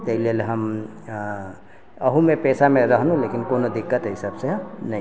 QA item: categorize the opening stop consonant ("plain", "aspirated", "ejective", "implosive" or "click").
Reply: plain